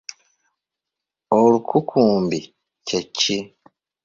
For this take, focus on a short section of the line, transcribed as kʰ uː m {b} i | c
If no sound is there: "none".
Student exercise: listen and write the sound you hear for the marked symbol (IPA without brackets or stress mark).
b